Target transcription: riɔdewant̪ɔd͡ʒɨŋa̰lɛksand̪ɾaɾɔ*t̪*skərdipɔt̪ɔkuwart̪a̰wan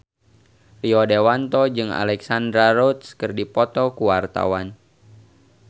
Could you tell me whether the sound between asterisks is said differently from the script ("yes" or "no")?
no